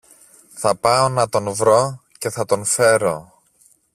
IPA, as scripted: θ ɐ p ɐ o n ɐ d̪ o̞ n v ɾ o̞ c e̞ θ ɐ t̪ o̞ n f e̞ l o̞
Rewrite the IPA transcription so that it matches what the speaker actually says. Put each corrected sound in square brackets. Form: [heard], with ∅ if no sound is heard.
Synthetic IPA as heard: θ ɐ p ɐ o n ɐ [t̪] o̞ n v ɾ o̞ c e̞ θ ɐ t̪ o̞ n f e̞ [ɾ] o̞